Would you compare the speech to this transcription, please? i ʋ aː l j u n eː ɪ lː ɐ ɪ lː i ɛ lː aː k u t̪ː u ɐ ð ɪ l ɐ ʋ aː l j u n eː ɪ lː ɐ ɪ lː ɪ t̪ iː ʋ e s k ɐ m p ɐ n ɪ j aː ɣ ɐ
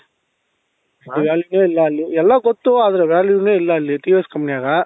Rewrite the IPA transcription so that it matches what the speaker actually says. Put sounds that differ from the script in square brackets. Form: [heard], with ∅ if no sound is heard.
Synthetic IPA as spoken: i ʋ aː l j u n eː ɪ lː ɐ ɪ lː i ɛ lː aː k [ɔ] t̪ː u ɐ ð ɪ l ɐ ʋ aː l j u n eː ɪ lː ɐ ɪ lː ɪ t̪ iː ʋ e s k ɐ m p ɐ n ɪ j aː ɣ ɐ